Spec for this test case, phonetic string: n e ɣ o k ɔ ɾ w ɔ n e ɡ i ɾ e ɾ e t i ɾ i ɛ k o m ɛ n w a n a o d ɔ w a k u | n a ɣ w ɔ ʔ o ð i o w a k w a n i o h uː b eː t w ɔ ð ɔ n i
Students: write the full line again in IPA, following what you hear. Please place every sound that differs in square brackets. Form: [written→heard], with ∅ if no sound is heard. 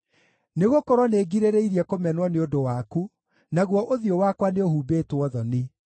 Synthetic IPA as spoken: n e ɣ o k ɔ ɾ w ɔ n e ɡ i ɾ e ɾ e [t→∅] i ɾ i ɛ k o m ɛ n w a n [a→e] o d [ɔ→o] w a k u | n a ɣ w ɔ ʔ o ð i o w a k w a n [i→e] o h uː b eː t w ɔ ð ɔ n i